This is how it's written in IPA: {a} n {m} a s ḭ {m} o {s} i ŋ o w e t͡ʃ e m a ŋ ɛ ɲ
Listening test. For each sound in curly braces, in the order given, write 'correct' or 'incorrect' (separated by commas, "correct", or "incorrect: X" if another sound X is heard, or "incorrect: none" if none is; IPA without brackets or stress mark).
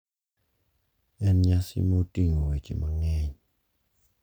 incorrect: ɛ, incorrect: ɲ, correct, incorrect: t